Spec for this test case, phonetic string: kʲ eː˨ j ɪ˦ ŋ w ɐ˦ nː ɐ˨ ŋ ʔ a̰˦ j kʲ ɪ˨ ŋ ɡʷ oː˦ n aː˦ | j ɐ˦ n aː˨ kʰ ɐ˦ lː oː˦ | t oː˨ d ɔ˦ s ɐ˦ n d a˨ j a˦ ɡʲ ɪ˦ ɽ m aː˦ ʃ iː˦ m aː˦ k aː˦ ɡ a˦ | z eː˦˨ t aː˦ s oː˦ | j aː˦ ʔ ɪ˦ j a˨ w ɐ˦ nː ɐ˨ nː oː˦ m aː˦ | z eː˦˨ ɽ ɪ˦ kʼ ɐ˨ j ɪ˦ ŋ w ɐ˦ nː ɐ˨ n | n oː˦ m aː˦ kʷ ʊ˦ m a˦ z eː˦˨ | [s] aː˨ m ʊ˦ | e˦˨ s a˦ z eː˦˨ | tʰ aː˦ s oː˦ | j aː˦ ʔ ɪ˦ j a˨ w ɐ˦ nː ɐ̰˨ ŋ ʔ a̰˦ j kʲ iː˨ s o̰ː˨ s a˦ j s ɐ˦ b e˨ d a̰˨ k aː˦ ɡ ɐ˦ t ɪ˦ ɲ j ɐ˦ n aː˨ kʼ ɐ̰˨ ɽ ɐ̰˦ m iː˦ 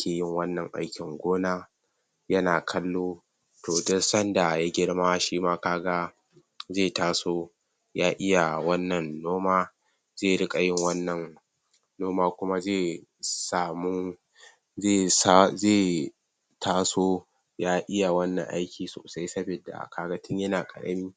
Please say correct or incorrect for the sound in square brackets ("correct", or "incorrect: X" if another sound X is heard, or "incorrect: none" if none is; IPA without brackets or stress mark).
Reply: correct